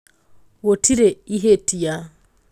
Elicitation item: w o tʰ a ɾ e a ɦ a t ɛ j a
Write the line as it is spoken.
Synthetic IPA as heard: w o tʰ i ɾ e i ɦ e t i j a